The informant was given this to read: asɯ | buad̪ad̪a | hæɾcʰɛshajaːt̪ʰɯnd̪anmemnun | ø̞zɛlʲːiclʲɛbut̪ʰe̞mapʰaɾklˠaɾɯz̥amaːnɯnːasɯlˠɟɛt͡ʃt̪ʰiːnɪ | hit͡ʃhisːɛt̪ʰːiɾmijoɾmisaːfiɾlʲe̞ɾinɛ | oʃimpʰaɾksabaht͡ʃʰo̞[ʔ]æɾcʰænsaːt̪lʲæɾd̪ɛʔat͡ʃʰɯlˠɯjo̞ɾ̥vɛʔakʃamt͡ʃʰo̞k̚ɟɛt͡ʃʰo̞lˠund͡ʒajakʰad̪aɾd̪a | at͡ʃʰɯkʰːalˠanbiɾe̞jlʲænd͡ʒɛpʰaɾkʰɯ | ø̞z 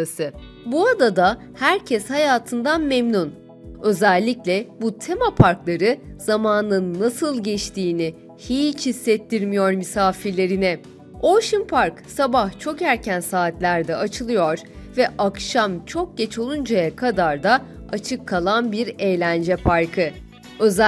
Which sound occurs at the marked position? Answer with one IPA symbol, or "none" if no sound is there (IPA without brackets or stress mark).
k